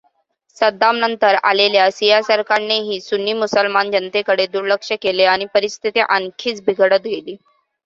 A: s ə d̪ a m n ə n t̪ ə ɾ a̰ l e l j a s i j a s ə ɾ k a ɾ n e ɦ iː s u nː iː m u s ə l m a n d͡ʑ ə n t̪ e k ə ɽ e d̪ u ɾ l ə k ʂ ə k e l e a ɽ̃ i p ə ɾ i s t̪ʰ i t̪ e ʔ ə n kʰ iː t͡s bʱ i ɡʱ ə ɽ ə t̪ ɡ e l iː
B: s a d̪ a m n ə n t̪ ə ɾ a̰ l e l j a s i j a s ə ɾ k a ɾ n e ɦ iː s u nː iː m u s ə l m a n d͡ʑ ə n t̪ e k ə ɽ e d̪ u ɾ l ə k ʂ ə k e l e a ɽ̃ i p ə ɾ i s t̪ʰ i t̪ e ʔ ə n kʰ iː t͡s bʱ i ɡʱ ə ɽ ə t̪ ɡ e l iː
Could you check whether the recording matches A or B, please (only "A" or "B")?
A